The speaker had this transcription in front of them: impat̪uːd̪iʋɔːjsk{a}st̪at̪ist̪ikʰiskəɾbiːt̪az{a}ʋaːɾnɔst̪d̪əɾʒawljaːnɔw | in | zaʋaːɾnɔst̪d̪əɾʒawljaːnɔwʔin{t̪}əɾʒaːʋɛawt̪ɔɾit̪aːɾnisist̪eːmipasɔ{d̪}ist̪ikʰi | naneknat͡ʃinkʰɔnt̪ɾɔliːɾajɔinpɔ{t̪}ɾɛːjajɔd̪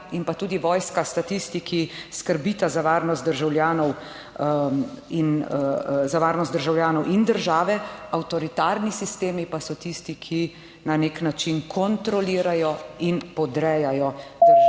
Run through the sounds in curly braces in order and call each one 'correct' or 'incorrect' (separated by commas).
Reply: correct, correct, incorrect, incorrect, incorrect